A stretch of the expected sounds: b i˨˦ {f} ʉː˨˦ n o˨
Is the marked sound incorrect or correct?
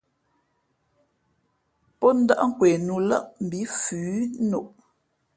correct